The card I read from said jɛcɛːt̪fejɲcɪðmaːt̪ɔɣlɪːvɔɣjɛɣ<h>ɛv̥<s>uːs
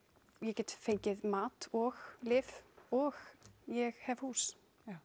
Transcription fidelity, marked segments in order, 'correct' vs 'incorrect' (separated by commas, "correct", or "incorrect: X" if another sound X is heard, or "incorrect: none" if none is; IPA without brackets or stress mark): correct, incorrect: h